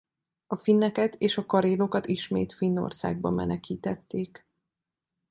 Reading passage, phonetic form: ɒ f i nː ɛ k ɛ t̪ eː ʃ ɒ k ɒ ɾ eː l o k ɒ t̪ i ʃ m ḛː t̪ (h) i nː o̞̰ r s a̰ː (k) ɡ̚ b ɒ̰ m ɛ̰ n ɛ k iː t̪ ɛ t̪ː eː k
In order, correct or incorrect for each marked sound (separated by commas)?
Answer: incorrect, incorrect